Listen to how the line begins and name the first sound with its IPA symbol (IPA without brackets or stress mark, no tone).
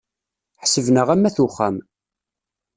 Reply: ħ